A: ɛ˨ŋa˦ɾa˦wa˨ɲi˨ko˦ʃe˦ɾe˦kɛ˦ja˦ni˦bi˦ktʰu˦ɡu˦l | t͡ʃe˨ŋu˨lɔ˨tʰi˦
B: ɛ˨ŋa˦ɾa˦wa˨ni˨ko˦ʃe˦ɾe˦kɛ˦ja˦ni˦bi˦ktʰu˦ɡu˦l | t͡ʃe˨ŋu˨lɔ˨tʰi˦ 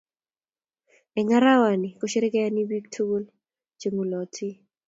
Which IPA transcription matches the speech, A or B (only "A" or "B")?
B